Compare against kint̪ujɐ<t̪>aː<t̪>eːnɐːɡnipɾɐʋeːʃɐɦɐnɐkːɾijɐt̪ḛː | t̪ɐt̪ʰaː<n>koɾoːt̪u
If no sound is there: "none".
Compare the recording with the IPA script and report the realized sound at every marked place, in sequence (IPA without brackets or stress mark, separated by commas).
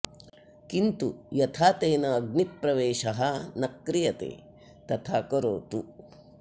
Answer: t̪ʰ, t̪, none